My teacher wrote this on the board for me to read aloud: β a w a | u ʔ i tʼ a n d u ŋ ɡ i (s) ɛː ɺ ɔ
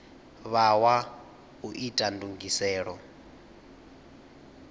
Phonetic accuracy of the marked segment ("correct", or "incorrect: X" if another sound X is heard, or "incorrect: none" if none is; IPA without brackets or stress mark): correct